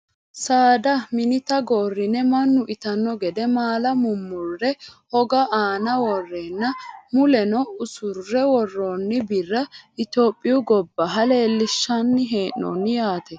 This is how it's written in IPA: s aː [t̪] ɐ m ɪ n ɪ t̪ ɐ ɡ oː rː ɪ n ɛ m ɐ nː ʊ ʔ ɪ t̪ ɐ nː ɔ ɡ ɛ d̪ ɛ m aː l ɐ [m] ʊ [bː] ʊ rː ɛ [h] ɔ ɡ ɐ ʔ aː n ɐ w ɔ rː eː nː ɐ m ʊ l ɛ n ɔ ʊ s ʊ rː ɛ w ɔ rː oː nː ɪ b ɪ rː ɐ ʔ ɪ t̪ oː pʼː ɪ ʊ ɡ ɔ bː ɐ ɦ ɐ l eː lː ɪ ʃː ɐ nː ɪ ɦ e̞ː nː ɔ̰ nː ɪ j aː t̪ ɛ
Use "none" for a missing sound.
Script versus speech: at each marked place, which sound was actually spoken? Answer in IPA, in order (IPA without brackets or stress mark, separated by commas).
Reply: d̪, m, mː, h